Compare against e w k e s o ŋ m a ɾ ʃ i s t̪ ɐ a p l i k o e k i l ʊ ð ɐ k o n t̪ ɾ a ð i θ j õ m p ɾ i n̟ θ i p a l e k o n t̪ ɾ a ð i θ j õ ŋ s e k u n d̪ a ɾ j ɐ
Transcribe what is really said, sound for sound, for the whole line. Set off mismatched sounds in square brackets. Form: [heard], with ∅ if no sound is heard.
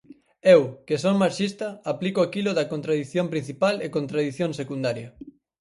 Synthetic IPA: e w k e s o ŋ m a ɾ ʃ i s t̪ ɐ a p l i k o [a] k i l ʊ ð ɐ k o n t̪ ɾ a ð i θ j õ m p ɾ i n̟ θ i p a l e k o n t̪ ɾ a ð i θ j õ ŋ s e k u n d̪ a ɾ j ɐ